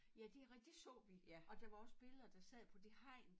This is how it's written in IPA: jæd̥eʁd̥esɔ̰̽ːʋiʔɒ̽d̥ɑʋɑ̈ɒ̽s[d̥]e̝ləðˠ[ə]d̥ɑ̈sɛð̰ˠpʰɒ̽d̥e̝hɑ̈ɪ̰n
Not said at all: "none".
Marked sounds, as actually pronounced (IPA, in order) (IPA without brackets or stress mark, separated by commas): b̥, ɐ